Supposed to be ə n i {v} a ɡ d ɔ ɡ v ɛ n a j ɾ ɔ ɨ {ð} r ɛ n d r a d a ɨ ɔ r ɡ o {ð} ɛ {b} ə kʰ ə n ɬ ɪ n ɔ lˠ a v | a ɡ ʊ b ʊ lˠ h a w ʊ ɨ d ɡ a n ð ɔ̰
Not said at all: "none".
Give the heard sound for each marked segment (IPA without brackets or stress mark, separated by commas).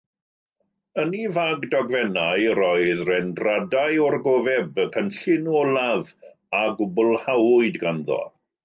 v, ð, v, b